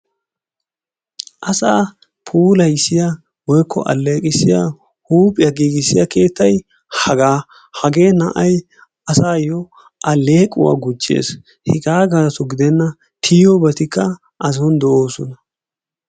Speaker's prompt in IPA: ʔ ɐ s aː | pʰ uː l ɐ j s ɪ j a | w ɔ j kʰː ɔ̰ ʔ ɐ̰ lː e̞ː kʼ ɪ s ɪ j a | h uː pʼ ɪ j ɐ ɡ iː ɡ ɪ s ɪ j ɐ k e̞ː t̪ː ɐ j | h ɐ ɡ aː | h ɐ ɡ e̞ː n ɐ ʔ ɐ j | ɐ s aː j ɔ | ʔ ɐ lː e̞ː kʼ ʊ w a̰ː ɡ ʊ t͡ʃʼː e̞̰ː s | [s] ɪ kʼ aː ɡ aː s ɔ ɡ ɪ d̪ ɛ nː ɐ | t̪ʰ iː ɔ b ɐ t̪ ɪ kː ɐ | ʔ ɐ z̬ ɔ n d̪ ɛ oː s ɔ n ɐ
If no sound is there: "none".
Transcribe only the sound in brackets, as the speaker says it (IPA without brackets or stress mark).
h